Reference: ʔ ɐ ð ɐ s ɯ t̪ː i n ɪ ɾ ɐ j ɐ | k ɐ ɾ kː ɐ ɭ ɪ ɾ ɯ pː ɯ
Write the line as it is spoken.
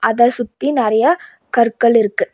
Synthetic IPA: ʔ ɐ ð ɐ s ʊ t̪ː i n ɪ ɾ ɐ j ɐ | k ɐ ɾ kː ɐ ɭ ɪ ɾ ɯ kː ɯ

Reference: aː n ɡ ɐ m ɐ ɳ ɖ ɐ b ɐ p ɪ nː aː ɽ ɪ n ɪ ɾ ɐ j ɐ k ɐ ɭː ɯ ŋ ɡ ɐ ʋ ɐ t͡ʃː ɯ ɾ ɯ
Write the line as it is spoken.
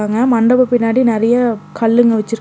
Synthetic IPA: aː ŋ ɡ ɐ m ɐ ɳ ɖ ɐ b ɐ p ɪ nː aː ɽ i n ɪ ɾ ɐ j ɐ k ɐ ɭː ɯ ŋ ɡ ɐ ʋ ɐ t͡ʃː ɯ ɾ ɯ

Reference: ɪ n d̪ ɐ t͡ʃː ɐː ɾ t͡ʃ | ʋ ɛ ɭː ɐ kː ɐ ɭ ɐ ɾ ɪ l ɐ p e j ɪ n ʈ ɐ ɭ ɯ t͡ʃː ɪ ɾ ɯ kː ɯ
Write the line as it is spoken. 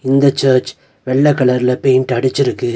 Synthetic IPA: ɪ n d̪ ɐ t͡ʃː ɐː ɾ t͡ʃ | ʋ ɛ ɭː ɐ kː ɐ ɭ ɐ ɾ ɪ l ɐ p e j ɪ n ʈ ɐ ɽ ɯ t͡ʃː ɪ ɾ ɯ kː ɯ

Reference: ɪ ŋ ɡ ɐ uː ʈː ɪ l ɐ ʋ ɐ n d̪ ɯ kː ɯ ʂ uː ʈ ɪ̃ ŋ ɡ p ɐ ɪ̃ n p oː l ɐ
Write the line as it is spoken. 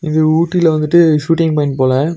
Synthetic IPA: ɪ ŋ ɡ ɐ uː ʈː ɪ l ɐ ʋ ɐ n d̪ ɯ ʈː ɯ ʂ uː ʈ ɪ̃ ŋ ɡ p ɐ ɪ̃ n p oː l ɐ

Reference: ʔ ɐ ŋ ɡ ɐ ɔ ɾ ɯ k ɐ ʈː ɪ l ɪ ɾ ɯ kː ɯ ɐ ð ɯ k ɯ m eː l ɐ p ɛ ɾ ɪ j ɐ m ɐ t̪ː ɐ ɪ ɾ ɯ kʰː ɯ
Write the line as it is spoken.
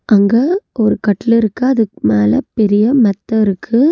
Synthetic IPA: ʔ ɐ ŋ ɡ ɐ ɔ ɾ ɯ k ɐ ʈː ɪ l ɪ ɾ ɯ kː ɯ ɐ ð ɯ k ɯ m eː l ɐ p ɛ ɾ ɪ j ɐ m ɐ t̪ː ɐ ɪ ɾ ɯ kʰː ɯ

